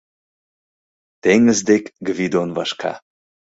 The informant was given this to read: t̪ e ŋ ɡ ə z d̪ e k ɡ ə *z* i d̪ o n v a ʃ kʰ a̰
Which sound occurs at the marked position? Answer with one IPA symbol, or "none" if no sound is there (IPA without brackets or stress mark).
v